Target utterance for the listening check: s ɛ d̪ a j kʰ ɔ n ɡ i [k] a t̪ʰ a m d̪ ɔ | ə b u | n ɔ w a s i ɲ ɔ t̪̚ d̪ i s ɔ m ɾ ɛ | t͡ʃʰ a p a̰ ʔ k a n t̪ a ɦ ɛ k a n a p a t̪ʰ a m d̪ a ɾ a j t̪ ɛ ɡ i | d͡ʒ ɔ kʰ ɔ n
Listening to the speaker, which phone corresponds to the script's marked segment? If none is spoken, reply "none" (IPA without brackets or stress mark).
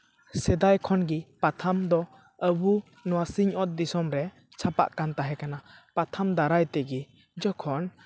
p